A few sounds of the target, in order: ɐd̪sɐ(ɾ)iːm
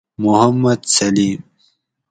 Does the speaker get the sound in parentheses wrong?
yes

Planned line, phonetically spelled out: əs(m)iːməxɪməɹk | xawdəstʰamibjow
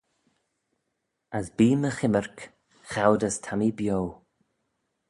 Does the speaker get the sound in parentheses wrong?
yes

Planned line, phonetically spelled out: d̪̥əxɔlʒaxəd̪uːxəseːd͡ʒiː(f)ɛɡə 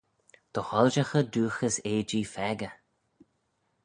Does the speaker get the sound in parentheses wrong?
no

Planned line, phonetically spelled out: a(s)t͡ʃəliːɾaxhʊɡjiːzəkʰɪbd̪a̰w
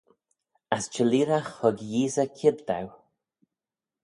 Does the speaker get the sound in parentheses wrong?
no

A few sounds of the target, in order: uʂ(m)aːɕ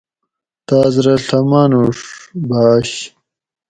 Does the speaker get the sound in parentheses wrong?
yes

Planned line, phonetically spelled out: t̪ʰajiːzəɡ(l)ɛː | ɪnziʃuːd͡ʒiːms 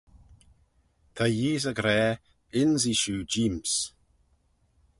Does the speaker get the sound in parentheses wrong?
yes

